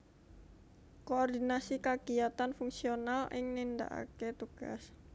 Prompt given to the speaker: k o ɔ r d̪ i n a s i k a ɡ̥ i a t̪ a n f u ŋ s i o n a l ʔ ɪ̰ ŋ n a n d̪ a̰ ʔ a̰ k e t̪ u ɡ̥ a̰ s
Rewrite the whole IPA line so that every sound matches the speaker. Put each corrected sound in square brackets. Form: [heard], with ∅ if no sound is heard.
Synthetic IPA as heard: k o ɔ r d̪ i n a s i k a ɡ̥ i a t̪ a n f u ŋ s i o n a l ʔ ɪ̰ ŋ n [i] n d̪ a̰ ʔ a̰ k e t̪ u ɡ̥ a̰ s

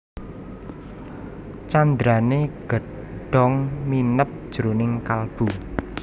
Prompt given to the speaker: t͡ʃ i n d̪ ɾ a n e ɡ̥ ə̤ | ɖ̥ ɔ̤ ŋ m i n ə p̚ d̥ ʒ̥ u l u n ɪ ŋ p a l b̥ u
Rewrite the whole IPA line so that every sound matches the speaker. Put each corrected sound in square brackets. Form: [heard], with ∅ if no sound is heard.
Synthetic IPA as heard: t͡ʃ [a] n d̪ ɾ a n e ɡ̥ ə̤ | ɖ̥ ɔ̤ ŋ m i n ə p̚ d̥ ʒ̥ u [ɾ] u n ɪ ŋ [k] a l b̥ u

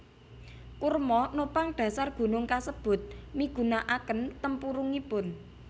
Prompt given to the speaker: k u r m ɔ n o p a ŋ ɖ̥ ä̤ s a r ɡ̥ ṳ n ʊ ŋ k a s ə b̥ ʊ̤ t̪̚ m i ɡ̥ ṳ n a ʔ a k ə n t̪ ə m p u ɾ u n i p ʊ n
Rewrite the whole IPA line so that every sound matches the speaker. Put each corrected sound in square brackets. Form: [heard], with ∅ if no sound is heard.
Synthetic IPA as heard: k u r m ɔ n o p a ŋ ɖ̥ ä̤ s a r ɡ̥ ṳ n ʊ ŋ k a s ə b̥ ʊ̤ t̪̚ m i ɡ̥ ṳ n a ʔ a k ə n t̪ ə m p u ɾ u [ŋ] i p ʊ n

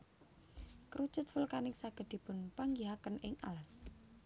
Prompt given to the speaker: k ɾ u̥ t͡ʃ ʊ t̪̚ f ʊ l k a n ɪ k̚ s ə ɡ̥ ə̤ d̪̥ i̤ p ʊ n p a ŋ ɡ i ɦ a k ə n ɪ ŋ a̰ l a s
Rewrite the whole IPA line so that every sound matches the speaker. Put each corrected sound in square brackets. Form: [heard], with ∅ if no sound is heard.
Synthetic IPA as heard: k ɾ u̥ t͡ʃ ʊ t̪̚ f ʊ l k a n ɪ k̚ s [a] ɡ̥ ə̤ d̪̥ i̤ p ʊ n p a ŋ ɡ i ɦ a k ə n ɪ ŋ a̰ l a s

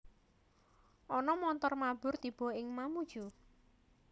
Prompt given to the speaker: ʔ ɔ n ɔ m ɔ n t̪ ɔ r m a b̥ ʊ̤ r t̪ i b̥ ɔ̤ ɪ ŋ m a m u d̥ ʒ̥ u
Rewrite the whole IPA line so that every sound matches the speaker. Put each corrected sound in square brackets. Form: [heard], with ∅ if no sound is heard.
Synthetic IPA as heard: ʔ ɔ n ɔ m ɔ n t̪ ɔ r m a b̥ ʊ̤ r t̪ i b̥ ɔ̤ ɪ ŋ m a m u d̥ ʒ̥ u

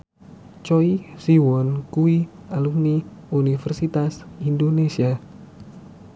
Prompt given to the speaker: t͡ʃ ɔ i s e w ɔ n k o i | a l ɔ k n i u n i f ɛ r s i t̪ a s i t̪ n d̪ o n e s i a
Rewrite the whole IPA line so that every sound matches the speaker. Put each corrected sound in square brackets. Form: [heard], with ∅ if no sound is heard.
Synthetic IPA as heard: t͡ʃ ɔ i s [i] w ɔ n k [u] i | a l [u] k n i u n i f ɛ r s i t̪ a s i [∅] n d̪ o n e s i a

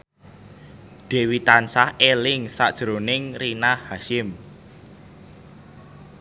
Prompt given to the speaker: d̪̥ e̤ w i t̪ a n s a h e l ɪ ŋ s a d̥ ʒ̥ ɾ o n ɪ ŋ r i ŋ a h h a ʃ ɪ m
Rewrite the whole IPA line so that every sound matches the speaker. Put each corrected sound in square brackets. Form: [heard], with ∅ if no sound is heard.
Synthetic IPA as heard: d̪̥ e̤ w i t̪ a n s a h e l ɪ ŋ s a d̥ ʒ̥ ɾ o n ɪ ŋ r i [n] a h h a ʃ ɪ m

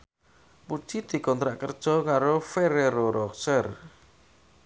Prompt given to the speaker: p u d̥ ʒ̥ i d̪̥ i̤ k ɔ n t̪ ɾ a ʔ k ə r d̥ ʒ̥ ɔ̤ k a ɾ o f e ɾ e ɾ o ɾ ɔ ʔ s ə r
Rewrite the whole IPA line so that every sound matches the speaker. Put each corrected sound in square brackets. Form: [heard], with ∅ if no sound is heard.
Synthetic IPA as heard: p u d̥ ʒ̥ i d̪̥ i̤ k ɔ n t̪ ɾ a ʔ k ə r d̥ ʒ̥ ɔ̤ k a ɾ o f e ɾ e ɾ o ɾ ɔ [k] s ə r

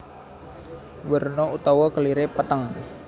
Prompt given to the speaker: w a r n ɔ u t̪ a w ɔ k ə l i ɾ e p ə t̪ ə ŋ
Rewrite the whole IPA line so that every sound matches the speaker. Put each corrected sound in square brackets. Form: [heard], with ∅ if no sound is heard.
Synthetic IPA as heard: w [ə] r n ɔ u t̪ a w ɔ k ə l i ɾ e p ə t̪ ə ŋ

